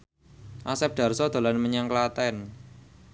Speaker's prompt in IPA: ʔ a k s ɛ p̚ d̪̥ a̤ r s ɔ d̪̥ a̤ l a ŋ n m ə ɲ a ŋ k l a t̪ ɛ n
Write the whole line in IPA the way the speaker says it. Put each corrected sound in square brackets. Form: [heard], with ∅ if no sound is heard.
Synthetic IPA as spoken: ʔ a [∅] s ɛ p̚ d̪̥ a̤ r s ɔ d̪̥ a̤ l a [∅] n m ə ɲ a ŋ k l a t̪ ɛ n